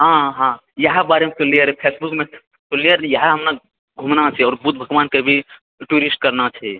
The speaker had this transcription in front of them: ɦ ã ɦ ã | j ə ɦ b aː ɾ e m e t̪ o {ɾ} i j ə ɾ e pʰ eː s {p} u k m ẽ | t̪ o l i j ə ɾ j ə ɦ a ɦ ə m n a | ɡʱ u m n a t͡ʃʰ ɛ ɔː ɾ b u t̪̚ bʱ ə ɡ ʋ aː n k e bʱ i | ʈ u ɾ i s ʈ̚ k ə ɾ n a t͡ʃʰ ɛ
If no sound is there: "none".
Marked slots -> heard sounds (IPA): l, b

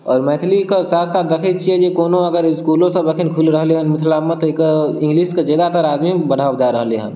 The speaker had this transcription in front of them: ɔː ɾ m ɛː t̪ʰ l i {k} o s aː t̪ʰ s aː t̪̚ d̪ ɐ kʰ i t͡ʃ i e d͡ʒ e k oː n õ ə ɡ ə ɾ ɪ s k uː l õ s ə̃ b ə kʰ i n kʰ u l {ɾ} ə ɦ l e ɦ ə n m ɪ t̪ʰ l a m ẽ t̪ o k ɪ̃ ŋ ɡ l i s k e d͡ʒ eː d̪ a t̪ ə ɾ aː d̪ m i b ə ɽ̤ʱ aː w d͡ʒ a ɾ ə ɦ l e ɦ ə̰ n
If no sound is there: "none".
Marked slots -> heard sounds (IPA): k, ɾ

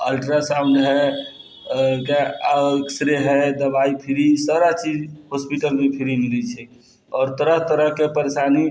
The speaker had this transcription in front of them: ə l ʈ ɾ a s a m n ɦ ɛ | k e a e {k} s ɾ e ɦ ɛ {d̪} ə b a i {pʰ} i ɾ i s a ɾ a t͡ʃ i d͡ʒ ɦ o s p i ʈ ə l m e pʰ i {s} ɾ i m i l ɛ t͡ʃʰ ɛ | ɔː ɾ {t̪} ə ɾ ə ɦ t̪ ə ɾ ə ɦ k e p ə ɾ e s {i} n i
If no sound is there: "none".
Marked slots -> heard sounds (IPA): k, d̪, pʰ, none, t̪, a

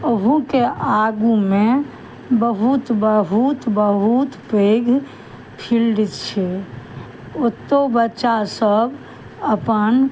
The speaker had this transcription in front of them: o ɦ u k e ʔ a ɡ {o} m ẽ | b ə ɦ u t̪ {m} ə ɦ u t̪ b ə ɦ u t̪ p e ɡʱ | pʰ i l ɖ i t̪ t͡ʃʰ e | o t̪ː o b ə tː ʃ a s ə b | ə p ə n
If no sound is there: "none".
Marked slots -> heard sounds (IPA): u, b

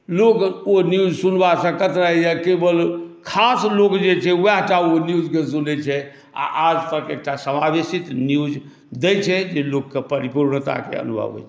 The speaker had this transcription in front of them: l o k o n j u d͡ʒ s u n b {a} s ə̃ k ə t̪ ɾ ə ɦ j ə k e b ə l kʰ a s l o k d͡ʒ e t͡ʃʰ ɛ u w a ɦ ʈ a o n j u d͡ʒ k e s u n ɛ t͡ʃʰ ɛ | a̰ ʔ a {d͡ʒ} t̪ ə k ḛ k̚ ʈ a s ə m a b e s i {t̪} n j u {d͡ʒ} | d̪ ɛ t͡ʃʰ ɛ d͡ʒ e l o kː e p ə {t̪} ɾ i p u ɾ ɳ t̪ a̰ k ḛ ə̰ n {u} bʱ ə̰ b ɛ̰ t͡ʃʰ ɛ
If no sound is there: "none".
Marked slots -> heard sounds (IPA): a, d͡ʒ, t̪, d͡ʒ, none, u

